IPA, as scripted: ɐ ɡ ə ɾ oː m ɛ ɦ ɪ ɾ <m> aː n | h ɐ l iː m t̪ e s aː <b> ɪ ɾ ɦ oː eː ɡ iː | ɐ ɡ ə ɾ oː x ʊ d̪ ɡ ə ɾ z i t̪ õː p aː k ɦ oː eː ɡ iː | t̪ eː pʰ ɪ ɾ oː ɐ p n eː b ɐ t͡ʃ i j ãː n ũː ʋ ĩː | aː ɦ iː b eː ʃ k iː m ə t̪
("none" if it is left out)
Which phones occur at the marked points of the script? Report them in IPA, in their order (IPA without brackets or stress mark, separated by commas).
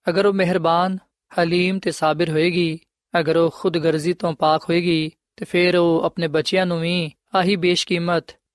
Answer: b, b